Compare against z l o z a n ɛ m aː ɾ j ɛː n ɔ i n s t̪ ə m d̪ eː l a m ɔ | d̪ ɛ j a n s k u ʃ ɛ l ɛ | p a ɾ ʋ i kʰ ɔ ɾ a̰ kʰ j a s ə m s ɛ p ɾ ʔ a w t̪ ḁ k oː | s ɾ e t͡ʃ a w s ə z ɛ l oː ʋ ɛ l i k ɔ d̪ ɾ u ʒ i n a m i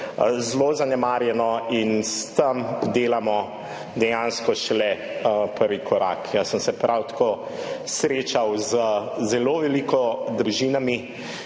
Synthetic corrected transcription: z l o z a n ɛ m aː ɾ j ɛ n ɔ i n s t̪ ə m d̪ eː l a m ɔ | d̪ ɛ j a n s k ɔ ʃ ɛ l ɛ | p ə ɾ ʋ i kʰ ɔ ɾ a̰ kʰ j a s ə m s ɛ p ɾ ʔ a w t̪ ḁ k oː | s ɾ e t͡ʃ a w z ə z ɛ l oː ʋ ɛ l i k ɔ d̪ ɾ u ʒ i n a m i